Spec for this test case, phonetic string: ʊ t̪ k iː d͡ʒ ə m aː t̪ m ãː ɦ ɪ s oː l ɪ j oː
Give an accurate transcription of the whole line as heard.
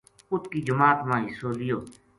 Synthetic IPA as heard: ʊ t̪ k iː d͡ʒ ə m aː t̪ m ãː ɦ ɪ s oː l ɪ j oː